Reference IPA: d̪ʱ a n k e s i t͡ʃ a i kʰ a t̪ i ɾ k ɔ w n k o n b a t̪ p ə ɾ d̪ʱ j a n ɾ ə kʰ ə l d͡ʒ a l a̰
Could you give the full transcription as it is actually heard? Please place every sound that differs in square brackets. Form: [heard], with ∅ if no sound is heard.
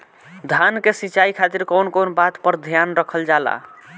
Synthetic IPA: d̪ʱ a n k e s i t͡ʃ a i kʰ a t̪ i ɾ k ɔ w n k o n b a t̪ p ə ɾ d̪ʱ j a n ɾ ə kʰ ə l d͡ʒ a l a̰